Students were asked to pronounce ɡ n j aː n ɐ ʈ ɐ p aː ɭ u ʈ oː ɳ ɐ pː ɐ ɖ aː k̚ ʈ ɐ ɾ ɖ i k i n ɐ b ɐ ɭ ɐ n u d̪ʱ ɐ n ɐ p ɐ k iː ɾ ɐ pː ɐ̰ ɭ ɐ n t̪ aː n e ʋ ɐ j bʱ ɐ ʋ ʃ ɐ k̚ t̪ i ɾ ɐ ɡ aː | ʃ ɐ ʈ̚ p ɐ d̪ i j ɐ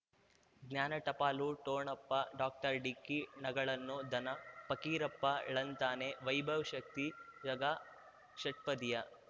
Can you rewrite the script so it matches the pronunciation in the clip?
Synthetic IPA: ɡ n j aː n ɐ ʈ ɐ p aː l u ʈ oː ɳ ɐ pː ɐ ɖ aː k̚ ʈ ɐ ɾ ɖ i k i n ɐ ɡ ɐ ɭ ɐ nː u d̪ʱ ɐ n ɐ p ɐ k iː ɾ ɐ pː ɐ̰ ɭ ɐ n t̪ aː n e ʋ ɐ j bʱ ɐ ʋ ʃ ɐ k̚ t̪ i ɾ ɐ ɡ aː | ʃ ɐ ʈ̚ p ɐ d̪ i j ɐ